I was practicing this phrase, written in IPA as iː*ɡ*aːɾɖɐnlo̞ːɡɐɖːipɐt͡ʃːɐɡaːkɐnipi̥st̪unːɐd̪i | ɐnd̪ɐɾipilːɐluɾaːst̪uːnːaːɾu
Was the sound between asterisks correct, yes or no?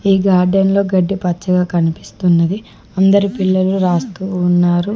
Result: yes